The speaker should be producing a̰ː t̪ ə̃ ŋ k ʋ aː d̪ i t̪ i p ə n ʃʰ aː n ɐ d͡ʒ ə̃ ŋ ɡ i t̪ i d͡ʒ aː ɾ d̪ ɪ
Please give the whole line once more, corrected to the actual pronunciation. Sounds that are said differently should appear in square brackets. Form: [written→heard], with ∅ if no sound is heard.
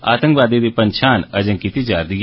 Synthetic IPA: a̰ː t̪ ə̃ ŋ k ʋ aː d̪ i [t̪→d̪] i p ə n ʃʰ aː n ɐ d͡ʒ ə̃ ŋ [ɡ→k] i t̪ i d͡ʒ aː ɾ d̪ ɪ